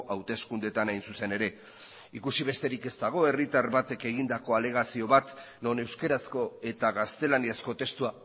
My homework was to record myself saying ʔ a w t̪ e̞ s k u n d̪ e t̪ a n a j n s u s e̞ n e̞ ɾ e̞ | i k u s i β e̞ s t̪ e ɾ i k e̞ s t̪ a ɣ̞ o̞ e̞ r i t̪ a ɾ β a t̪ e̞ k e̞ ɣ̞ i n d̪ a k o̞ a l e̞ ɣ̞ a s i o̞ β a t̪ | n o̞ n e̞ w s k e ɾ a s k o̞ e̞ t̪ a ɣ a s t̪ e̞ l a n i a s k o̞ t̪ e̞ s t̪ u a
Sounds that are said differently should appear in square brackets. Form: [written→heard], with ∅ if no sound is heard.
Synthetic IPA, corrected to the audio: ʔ a w t̪ e̞ s k u n d̪ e t̪ a n a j n s u s e̞ n e̞ ɾ e̞ | i k u s i β e̞ s t̪ e ɾ i k e̞ s t̪ a ɣ̞ o̞ e̞ r i t̪ a ɾ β a t̪ e̞ k e̞ ɣ̞ i n d̪ a k o̞ a l e̞ ɣ̞ a s i o̞ β a t̪ | n o̞ n e̞ w s k e ɾ a s k o̞ e̞ t̪ a ɣ a s t̪ e̞ l a n i a s k o̞ t̪ e̞ s t̪ u a

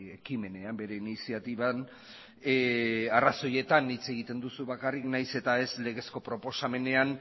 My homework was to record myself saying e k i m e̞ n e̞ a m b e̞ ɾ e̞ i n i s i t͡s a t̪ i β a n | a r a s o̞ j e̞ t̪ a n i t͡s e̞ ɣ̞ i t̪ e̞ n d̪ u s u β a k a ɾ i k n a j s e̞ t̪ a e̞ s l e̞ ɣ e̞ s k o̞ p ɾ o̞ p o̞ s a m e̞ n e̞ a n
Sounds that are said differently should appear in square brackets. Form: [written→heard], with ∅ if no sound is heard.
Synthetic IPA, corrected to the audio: e k i m e̞ n e̞ a m b e̞ ɾ e̞ i n i s i [t͡s→∅] a t̪ i β a n | a r a s o̞ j e̞ t̪ a n i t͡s e̞ ɣ̞ i t̪ e̞ n d̪ u s u β a k a [ɾ→r] i k n a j s e̞ t̪ a e̞ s l e̞ ɣ e̞ s k o̞ p ɾ o̞ p o̞ s a m e̞ n e̞ a n

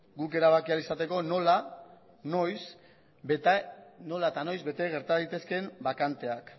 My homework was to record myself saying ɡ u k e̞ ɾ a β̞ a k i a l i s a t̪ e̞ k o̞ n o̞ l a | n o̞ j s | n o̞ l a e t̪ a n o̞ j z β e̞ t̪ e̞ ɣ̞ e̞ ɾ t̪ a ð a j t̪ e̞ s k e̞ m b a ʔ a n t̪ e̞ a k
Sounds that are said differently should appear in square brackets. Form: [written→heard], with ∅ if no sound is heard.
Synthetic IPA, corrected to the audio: ɡ u k e̞ ɾ a β̞ a k i a l i s a t̪ e̞ k o̞ n o̞ l a | n o̞ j s | n o̞ l a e t̪ a n o̞ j z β e̞ t̪ e̞ ɣ̞ e̞ ɾ t̪ a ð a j t̪ e̞ s k e̞ m b a [ʔ→k] a n t̪ e̞ a k

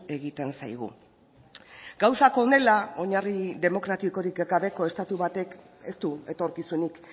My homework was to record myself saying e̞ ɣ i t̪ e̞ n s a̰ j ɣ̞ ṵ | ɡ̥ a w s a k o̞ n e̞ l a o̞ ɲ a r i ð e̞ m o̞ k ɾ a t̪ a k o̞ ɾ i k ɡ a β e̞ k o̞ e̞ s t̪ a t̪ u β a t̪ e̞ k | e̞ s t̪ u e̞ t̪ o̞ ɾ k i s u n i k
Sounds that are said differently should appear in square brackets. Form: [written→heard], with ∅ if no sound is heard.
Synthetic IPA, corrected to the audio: e̞ ɣ i t̪ e̞ n s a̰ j ɣ̞ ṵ | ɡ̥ a w s a k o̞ n e̞ l a o̞ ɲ a r i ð e̞ m o̞ k ɾ a t̪ [a→i] k o̞ ɾ i k ɡ a β e̞ k o̞ e̞ s t̪ a t̪ u β a t̪ e̞ k | e̞ s t̪ u e̞ t̪ o̞ ɾ k i s u n i k

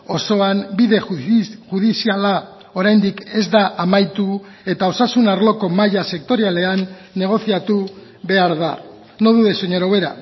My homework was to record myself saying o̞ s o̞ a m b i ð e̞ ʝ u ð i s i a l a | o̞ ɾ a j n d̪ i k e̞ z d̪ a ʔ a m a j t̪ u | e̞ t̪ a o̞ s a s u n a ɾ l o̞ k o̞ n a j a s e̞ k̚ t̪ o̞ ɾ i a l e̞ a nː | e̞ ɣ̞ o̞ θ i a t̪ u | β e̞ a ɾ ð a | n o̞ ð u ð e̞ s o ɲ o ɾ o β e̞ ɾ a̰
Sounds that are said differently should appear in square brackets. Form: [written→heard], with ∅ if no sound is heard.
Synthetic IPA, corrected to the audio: o̞ s o̞ a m b i ð e̞ ʝ u ð i s i a l a | o̞ ɾ a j n d̪ i k e̞ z d̪ a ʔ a m a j t̪ u | e̞ t̪ a o̞ s a s u n a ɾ l o̞ k o̞ [n→m] a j a s e̞ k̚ t̪ o̞ ɾ i a l e̞ a nː | e̞ ɣ̞ o̞ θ i a t̪ u | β e̞ a ɾ ð a | n o̞ ð u ð e̞ s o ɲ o ɾ o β e̞ ɾ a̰

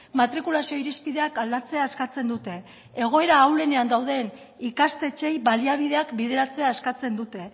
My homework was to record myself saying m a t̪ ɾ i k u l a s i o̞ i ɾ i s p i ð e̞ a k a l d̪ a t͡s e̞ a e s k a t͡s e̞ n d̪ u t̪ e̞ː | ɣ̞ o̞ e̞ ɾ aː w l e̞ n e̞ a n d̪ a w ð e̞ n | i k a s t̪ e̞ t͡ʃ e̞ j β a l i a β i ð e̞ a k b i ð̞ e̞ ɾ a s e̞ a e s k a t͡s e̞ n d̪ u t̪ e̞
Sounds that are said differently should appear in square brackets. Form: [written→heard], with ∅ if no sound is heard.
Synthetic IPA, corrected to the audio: m a t̪ ɾ i k u l a s i o̞ i ɾ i s p i ð e̞ a k a l d̪ a t͡s e̞ a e s k a t͡s e̞ n d̪ u t̪ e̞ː | ɣ̞ o̞ e̞ ɾ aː w l e̞ n e̞ a n d̪ a w ð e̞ n | i k a s t̪ e̞ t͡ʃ e̞ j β a l i a β i ð e̞ a k b i ð̞ e̞ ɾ a [s→t͡s] e̞ a e s k a t͡s e̞ n d̪ u t̪ e̞

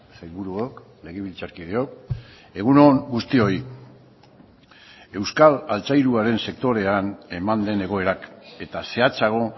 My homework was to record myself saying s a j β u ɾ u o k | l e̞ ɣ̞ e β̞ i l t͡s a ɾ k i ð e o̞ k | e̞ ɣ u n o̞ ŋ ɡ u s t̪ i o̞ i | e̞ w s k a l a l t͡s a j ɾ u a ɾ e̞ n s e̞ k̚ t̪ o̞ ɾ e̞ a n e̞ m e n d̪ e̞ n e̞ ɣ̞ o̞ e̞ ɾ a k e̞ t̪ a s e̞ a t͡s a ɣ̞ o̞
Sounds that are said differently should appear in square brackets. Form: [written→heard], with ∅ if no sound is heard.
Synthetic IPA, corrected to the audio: s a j β u ɾ u o k | l e̞ ɣ̞ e β̞ i l t͡s a ɾ k i ð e o̞ k | e̞ ɣ u n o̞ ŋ ɡ u s t̪ i o̞ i | e̞ w s k a l a l t͡s a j ɾ u a ɾ e̞ n s e̞ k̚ t̪ o̞ ɾ e̞ a n e̞ m [e→a] n d̪ e̞ n e̞ ɣ̞ o̞ e̞ ɾ a k e̞ t̪ a s e̞ a t͡s a ɣ̞ o̞

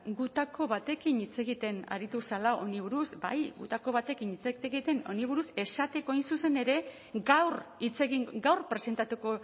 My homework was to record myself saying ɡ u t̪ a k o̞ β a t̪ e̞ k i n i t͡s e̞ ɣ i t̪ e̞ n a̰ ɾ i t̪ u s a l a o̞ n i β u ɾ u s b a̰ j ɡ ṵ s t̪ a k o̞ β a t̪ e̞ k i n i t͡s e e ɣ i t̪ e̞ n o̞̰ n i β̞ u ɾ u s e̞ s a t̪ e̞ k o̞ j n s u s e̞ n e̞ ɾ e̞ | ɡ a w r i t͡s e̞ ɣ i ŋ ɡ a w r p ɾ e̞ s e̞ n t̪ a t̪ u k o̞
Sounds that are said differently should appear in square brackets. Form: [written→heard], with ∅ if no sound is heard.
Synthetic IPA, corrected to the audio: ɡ u t̪ a k o̞ β a t̪ e̞ k i n i t͡s e̞ ɣ i t̪ e̞ n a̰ ɾ i t̪ u s a l a o̞ n i β u ɾ u s b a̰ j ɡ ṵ [s→∅] t̪ a k o̞ β a t̪ e̞ k i n i t͡s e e ɣ i t̪ e̞ n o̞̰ n i β̞ u ɾ u s e̞ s a t̪ e̞ k o̞ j n s u s e̞ n e̞ ɾ e̞ | ɡ a w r i t͡s e̞ ɣ i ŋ ɡ a w r p ɾ e̞ s e̞ n t̪ a t̪ u k o̞

